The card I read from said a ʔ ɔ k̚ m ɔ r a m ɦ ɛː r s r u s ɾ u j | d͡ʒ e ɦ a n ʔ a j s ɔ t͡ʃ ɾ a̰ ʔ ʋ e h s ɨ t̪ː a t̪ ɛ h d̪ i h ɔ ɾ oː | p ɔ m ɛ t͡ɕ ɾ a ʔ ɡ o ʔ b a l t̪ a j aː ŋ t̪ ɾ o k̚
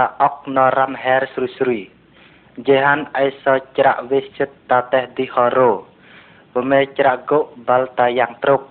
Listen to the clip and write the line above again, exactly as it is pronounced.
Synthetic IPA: a ʔ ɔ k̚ n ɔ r a m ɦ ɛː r s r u s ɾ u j | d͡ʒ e ɦ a n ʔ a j s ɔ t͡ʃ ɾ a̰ ʔ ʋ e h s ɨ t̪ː a t̪ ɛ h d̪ i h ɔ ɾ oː | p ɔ m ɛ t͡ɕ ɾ a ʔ ɡ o ʔ b a l t̪ a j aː ŋ t̪ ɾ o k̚